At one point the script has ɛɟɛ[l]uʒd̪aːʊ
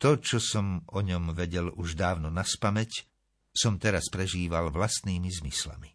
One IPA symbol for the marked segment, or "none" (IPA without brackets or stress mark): l